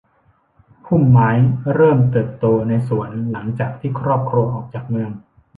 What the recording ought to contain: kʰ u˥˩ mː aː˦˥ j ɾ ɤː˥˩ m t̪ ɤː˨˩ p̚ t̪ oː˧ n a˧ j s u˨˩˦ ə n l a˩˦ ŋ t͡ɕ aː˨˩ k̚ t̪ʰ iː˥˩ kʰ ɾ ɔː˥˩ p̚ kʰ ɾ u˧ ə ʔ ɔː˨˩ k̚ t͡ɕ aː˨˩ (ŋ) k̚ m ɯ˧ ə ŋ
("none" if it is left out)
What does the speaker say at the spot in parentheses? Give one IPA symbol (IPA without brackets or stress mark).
none